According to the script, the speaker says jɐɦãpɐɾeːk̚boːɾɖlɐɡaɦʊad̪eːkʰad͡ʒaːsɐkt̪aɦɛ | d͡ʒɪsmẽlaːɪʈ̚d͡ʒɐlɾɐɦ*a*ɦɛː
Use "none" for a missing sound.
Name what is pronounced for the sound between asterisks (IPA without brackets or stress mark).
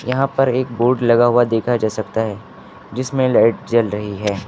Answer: i